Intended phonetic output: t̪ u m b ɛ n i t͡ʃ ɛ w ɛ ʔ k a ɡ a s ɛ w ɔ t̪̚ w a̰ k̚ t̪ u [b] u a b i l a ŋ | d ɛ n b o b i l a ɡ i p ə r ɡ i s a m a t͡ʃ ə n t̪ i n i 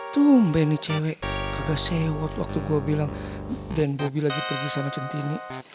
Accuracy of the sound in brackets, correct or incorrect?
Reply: incorrect